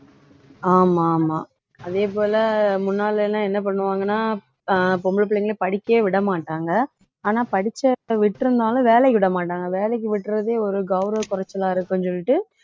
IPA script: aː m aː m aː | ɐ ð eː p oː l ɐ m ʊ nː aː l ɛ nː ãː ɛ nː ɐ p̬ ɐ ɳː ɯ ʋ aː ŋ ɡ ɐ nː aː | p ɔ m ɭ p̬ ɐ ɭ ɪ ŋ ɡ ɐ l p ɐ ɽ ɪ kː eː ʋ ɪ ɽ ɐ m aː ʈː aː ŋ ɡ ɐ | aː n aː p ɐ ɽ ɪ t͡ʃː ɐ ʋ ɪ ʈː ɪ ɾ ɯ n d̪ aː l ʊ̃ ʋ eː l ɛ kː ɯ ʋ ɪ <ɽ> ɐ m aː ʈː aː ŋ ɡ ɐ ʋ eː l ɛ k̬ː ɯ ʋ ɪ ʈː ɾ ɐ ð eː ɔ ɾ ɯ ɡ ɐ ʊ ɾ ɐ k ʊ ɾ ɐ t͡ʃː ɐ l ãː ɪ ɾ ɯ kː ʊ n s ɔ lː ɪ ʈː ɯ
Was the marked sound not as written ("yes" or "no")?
no